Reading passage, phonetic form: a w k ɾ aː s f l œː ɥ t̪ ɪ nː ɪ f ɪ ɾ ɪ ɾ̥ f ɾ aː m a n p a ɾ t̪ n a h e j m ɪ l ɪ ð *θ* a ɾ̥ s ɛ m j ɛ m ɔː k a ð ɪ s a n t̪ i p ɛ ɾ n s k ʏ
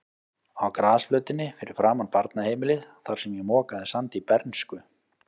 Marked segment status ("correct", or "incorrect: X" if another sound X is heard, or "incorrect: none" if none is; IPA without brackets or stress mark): correct